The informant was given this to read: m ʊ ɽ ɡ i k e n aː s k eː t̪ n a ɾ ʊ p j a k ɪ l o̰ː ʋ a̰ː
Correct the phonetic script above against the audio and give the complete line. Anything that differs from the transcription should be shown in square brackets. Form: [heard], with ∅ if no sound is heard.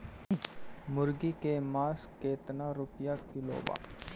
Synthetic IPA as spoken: m ʊ [ɾ] ɡ i k e [m] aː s k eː t̪ n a ɾ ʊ p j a k ɪ l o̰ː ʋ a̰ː